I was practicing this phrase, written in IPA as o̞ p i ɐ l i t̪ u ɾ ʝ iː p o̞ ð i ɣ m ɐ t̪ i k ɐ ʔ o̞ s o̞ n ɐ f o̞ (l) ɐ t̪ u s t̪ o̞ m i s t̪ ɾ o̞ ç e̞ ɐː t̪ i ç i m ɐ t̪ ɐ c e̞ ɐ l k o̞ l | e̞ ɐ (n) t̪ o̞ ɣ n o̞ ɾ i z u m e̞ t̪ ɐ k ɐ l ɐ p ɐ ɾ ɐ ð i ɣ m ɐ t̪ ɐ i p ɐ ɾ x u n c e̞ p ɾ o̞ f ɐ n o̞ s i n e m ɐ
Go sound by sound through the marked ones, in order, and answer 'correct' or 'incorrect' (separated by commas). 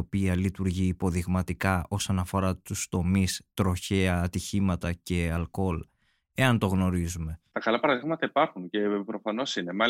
incorrect, correct